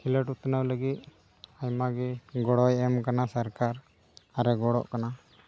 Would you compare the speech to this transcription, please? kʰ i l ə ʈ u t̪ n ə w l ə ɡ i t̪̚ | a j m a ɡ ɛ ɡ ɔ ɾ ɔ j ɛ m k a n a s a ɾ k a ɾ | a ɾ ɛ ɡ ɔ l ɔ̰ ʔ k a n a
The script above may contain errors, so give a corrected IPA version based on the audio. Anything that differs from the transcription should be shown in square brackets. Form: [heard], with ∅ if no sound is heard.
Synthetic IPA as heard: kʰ i l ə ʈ u t̪ n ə w l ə ɡ i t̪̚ | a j m a ɡ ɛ ɡ ɔ [ɽ] ɔ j ɛ m k a n a s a ɾ k a ɾ | a ɾ ɛ ɡ ɔ [ɽ] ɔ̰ ʔ k a n a